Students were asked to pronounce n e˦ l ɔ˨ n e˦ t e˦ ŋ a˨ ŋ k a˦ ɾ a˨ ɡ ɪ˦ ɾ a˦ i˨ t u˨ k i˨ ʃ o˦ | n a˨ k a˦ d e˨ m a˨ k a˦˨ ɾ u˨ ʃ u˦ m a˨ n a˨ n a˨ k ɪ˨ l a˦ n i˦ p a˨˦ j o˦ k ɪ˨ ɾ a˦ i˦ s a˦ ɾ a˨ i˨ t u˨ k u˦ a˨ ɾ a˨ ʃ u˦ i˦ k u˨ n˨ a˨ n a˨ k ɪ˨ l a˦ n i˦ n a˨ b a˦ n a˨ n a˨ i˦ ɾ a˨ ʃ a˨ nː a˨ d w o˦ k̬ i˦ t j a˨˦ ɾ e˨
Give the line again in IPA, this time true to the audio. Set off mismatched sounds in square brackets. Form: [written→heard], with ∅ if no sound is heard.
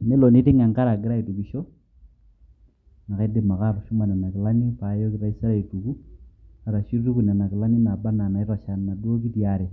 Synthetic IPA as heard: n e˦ l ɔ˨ n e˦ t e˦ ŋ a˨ ŋ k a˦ ɾ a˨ ɡ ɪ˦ ɾ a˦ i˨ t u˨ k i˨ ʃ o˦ | n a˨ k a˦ d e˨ m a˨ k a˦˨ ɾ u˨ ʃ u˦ m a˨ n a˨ n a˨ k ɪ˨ l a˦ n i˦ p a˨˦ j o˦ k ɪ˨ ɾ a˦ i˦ s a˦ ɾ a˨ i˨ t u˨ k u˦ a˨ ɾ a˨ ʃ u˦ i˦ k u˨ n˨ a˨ n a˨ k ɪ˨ l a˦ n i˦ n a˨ b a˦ n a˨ n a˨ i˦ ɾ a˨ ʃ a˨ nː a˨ d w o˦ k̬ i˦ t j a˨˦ ɾ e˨

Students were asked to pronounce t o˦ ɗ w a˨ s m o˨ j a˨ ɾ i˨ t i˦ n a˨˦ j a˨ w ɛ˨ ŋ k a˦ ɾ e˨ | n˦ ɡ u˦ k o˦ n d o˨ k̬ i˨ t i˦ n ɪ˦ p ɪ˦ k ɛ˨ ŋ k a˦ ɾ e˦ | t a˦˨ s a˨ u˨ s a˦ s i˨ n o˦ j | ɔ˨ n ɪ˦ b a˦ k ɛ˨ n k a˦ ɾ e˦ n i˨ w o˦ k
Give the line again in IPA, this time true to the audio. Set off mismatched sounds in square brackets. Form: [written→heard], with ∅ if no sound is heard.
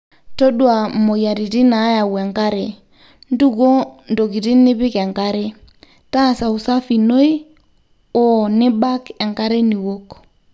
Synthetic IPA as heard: t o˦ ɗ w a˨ [s→∅] m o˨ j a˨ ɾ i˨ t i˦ n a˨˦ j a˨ w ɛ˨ ŋ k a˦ ɾ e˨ | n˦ [ɡ→d] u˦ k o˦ n d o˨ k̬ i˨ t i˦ n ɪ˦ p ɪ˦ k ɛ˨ ŋ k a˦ ɾ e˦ | t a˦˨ s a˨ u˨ s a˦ [s→f] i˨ n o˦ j | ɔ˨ n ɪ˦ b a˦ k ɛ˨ [n→ŋ] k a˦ ɾ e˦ n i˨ w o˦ k

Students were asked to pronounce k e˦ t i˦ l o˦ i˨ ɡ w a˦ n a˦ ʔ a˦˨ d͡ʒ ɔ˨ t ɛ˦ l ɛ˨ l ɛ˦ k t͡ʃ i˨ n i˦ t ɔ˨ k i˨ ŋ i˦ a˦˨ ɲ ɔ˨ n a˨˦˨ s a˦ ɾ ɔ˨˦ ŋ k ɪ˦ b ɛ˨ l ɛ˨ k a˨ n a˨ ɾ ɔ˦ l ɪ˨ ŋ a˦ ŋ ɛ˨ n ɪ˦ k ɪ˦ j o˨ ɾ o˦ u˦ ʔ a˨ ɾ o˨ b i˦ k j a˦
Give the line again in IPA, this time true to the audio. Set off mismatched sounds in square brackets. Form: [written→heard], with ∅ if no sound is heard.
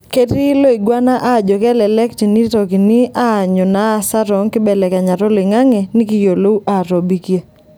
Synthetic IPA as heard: k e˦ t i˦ l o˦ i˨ ɡ w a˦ n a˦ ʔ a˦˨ d͡ʒ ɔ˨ [t→k] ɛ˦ l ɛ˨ l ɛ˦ k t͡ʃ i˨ n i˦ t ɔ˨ k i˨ [ŋ→n] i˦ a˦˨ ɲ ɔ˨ n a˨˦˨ s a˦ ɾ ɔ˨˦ ŋ k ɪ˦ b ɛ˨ l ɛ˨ k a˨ [n→ɲ] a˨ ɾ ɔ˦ l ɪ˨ ŋ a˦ ŋ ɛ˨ n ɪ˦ k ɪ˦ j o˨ [ɾ→l] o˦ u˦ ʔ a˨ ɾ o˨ b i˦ k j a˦

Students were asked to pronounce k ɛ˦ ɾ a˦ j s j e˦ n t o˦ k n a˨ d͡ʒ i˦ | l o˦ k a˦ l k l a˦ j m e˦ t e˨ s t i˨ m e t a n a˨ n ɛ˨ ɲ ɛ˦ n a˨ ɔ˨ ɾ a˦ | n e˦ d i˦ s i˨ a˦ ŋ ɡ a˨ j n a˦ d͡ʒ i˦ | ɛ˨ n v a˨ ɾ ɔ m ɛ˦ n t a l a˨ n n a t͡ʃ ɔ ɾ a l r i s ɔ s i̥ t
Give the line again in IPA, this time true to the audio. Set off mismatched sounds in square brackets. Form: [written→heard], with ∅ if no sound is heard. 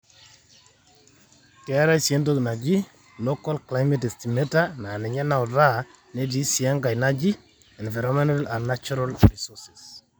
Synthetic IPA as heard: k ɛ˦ ɾ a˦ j s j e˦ n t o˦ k n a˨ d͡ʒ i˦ | l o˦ k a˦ l k l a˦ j m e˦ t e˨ s t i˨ m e t a n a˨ n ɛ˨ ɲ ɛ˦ n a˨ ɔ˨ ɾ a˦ | n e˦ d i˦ s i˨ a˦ ŋ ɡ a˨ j n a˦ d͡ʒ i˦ | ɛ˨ n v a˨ ɾ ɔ m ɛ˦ n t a l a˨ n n a t͡ʃ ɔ ɾ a l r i s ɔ s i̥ [t→s]

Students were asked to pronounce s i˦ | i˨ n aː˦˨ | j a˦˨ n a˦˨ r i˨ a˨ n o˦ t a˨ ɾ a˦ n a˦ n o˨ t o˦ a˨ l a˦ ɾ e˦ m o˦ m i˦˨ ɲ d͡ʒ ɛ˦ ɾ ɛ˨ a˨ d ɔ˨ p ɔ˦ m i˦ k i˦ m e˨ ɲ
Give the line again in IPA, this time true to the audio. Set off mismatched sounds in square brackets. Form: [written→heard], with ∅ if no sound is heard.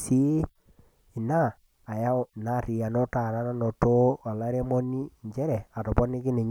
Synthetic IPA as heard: s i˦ | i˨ n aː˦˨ | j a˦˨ n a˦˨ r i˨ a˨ n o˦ t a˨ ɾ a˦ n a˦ n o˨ t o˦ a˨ l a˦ ɾ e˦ m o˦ [m→n] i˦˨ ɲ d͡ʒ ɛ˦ ɾ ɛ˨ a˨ [d→t] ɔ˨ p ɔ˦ [m→n] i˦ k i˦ [m→n] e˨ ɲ

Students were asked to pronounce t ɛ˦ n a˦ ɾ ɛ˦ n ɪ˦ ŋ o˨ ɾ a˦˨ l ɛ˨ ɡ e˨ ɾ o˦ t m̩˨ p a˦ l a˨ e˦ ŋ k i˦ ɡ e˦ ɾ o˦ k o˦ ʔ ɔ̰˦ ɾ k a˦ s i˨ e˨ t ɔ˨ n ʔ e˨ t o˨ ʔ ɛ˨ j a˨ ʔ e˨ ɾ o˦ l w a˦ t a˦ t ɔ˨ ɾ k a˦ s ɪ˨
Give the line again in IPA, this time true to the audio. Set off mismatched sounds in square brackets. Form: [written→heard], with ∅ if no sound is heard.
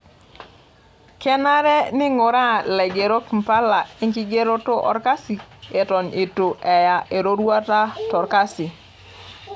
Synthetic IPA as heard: [t→k] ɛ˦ n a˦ ɾ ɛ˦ n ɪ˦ ŋ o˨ ɾ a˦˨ l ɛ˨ ɡ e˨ ɾ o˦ [t→k] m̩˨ p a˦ l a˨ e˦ ŋ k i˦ ɡ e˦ ɾ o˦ [k→t] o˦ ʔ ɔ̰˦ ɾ k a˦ s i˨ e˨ t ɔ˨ n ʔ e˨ t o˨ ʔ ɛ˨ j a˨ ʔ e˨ ɾ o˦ [l→ɾ] w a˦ t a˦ t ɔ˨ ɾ k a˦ s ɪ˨

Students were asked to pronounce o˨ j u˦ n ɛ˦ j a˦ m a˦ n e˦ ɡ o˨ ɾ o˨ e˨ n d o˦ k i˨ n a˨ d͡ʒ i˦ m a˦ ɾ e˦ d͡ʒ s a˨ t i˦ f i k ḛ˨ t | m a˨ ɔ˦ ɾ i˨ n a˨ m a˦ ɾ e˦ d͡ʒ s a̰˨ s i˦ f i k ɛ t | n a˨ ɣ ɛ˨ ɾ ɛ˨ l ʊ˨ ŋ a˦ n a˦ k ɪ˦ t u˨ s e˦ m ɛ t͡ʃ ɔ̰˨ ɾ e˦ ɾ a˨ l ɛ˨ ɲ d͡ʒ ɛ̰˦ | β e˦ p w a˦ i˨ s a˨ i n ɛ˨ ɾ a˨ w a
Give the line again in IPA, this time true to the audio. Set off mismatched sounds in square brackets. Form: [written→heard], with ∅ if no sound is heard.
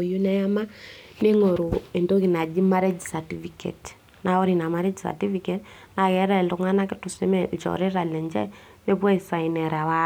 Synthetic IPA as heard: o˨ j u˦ n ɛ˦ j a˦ m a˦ n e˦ [ɡ→ŋ] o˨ ɾ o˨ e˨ n d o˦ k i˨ n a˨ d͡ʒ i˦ m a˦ ɾ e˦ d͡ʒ s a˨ t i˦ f i k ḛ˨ t | [m→n] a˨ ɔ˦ ɾ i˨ n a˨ m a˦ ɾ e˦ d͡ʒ s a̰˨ [s→t] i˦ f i k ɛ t | n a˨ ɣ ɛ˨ ɾ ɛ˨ l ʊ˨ ŋ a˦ n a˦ k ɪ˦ t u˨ s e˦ m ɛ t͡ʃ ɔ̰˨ ɾ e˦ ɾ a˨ l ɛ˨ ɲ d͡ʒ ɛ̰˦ | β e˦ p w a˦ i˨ s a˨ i n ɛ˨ ɾ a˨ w a

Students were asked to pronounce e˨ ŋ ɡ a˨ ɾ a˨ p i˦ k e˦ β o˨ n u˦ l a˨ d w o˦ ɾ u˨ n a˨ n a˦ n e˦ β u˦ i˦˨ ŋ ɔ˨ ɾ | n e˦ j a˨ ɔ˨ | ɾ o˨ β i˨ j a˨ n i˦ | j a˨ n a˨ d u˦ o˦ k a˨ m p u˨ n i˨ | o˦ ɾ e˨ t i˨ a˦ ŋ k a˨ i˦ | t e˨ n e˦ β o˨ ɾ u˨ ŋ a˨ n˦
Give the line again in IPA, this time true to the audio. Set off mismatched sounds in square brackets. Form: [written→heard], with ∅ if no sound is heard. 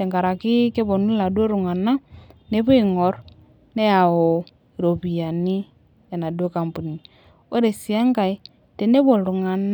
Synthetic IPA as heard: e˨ ŋ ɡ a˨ ɾ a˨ [p→k] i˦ k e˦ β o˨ n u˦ l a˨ d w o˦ ɾ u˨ [n→ŋ] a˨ n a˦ n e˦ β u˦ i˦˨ ŋ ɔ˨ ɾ | n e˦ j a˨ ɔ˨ | ɾ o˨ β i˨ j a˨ n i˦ | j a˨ n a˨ d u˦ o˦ k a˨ m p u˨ n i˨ | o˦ ɾ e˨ [t→s] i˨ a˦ ŋ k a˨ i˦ | t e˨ n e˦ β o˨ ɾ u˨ ŋ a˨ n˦

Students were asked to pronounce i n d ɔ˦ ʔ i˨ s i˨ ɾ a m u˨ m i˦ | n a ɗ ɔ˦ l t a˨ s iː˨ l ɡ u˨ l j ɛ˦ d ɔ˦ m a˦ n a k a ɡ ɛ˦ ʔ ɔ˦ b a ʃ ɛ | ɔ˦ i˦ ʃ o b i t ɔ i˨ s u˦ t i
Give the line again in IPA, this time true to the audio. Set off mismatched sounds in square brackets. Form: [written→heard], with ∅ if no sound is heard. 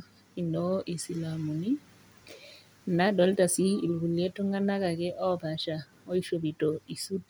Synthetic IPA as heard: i n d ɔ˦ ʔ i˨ s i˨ [ɾ→l] a m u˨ [m→n] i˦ | n a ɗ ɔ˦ l t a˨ s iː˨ l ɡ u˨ l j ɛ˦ [d→t] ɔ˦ [m→ŋ] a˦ n a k a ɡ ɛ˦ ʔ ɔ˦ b a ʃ [ɛ→a] | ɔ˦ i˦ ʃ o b i t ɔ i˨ s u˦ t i

